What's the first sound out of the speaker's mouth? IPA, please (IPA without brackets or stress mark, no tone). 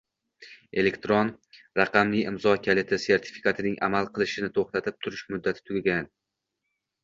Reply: e̞